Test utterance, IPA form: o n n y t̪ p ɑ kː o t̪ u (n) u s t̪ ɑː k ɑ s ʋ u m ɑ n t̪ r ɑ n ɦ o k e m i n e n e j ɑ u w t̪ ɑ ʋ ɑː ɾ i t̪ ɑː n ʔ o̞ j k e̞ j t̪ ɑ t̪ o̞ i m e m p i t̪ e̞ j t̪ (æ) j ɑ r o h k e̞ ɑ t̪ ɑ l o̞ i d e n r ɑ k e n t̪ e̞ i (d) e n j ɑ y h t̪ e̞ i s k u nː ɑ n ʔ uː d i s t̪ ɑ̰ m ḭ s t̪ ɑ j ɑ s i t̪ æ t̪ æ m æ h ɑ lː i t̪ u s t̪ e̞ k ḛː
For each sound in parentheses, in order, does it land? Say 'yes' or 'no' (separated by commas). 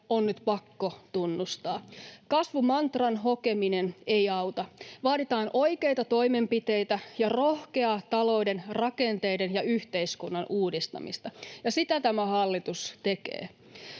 no, yes, yes